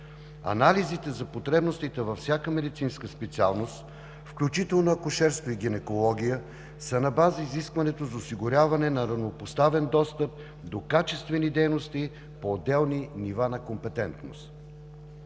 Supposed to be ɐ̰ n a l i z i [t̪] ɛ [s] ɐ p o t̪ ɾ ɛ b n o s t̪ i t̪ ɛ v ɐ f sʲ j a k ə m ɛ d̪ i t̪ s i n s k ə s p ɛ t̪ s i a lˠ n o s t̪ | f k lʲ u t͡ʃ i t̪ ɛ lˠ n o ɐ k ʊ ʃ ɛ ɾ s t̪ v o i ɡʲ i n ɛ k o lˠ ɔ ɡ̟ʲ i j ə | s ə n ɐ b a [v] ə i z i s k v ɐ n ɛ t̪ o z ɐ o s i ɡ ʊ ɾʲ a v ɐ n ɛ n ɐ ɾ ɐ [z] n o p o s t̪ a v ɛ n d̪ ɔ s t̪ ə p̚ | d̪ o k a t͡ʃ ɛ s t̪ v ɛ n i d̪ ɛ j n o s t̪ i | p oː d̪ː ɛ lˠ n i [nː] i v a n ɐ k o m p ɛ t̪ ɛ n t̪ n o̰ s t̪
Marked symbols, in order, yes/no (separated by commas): yes, no, no, no, no